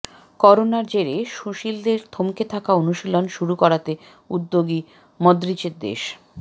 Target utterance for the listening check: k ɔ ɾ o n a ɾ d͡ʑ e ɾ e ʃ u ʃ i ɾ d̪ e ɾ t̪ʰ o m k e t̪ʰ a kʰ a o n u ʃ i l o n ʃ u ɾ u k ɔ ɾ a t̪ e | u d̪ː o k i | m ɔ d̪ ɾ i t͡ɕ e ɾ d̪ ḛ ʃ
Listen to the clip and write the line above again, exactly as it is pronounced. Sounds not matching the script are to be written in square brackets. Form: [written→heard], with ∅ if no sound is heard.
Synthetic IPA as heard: k ɔ ɾ o n a ɾ d͡ʑ e ɾ e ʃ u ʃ i [ɾ→l] d̪ e ɾ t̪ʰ o m k e t̪ʰ a [kʰ→k] a o n u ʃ i l o n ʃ u ɾ u k ɔ ɾ a t̪ e | u d̪ː o [k→ɡ] i | m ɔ d̪ ɾ i t͡ɕ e ɾ d̪ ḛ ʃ